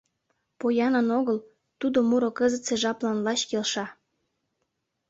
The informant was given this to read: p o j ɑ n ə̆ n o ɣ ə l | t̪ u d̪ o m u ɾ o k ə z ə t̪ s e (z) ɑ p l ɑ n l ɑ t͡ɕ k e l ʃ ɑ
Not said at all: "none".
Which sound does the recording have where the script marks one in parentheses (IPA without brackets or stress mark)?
ʒ